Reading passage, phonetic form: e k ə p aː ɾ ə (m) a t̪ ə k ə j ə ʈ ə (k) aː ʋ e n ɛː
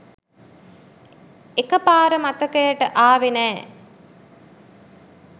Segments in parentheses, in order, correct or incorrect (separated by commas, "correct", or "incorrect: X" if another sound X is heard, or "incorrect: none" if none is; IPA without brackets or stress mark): correct, incorrect: ʔ